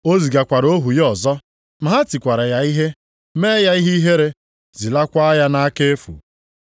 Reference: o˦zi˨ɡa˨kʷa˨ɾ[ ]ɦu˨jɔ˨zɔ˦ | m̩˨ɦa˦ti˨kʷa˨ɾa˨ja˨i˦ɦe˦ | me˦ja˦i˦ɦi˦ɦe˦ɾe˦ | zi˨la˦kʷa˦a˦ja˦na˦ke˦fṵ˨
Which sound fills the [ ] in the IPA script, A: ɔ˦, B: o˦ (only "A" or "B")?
B